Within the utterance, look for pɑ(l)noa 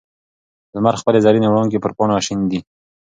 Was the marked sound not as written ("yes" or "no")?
yes